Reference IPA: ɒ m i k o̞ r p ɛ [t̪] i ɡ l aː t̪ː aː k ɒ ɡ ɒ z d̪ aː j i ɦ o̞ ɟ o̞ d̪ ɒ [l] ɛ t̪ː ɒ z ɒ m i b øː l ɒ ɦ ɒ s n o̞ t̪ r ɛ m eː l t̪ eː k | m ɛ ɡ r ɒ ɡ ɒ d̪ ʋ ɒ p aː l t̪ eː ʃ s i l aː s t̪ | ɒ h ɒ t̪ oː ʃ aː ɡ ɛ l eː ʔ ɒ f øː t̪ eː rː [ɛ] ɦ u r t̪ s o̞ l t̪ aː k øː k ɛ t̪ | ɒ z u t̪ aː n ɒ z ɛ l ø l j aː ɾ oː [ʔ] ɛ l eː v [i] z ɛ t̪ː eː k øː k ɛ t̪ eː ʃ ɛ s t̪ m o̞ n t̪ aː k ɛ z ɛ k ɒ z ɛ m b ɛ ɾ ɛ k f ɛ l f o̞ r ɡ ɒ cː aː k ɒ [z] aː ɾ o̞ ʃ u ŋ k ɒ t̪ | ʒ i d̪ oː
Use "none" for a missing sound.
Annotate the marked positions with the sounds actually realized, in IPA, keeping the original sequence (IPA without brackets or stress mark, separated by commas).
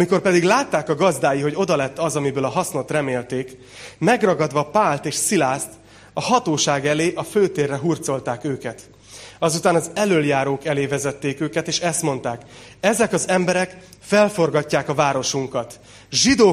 d̪, l, ɛ, k, ɛ, v